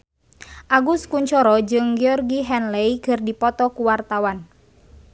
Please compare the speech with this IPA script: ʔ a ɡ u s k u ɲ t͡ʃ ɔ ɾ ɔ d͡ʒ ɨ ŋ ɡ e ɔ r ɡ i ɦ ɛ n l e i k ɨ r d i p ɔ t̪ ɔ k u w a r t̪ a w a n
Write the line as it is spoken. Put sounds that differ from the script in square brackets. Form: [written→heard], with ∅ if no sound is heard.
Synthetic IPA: ʔ a ɡ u s k u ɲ t͡ʃ ɔ ɾ ɔ d͡ʒ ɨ ŋ ɡ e ɔ r ɡ i ɦ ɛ n l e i k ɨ r d i p ɔ t̪ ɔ k u w a r t̪ a w a n